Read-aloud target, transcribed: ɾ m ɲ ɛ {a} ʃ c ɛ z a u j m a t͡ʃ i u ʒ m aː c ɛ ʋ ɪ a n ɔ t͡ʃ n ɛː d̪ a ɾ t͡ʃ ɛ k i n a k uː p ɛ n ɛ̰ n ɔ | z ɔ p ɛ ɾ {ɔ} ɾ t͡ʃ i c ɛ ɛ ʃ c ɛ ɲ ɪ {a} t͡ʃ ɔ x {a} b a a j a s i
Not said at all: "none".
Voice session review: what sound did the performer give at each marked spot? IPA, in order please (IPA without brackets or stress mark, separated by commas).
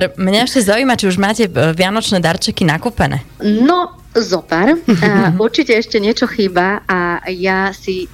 ɛ, u, ɛ, i